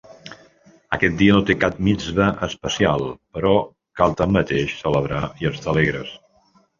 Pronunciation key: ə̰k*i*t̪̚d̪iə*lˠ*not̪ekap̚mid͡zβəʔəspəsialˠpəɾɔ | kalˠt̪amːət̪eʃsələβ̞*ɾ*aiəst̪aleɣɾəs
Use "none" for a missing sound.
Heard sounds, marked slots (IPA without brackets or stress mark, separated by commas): ɛ, none, ɾ